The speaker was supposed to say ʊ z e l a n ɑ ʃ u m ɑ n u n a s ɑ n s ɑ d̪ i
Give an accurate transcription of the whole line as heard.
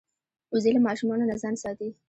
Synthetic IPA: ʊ z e l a m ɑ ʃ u m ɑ n o n a z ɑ n s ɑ t̪ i